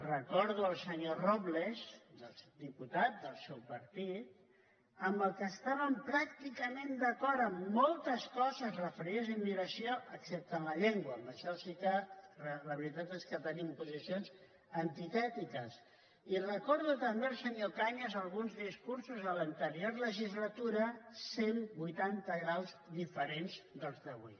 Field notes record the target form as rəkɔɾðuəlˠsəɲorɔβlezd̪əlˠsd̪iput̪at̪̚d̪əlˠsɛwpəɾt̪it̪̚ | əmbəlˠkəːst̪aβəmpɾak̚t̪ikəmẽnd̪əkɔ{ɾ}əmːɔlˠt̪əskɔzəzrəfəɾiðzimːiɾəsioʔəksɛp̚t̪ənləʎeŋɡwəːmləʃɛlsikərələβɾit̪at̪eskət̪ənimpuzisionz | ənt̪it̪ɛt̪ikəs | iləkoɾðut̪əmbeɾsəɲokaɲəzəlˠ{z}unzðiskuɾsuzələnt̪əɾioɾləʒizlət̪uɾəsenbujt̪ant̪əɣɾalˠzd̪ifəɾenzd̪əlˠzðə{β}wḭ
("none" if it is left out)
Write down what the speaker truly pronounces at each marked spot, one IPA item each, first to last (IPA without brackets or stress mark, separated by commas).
ɾ, ɣ, β